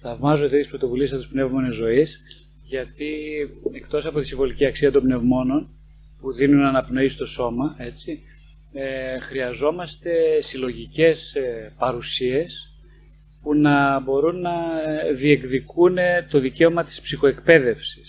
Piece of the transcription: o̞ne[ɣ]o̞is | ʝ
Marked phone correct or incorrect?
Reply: incorrect